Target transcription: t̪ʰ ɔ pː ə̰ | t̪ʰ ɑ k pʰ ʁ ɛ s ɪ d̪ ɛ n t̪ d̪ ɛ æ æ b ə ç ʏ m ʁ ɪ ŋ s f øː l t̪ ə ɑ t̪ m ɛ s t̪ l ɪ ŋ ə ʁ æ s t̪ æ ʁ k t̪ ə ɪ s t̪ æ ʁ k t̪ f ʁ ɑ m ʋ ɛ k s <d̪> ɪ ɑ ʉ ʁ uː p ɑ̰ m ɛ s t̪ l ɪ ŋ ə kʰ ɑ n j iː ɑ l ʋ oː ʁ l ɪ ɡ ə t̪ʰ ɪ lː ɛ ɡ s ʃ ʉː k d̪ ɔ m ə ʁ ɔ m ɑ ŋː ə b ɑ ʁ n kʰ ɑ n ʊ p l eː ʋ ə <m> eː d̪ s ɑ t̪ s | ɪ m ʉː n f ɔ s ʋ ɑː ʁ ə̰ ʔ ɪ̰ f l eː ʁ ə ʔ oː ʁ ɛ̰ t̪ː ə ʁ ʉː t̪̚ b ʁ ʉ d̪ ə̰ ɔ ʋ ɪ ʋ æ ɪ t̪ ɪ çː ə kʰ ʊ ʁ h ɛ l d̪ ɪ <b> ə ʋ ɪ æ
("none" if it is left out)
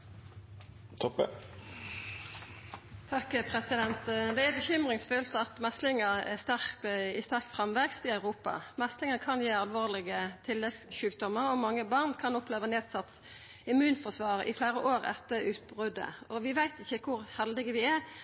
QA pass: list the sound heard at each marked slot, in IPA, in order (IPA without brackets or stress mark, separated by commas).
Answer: t̪, n, ɡ